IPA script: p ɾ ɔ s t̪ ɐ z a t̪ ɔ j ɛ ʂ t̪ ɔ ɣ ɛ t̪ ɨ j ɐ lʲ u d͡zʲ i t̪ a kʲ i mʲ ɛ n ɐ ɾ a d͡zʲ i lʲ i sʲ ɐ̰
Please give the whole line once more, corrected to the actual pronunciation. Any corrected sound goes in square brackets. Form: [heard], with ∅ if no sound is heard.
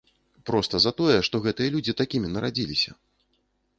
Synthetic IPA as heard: p ɾ ɔ s t̪ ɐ z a t̪ ɔ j ɛ ʂ t̪ ɔ ɣ ɛ t̪ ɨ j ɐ lʲ u d͡zʲ i t̪ a kʲ i mʲ [i] n ɐ ɾ a d͡zʲ i lʲ i sʲ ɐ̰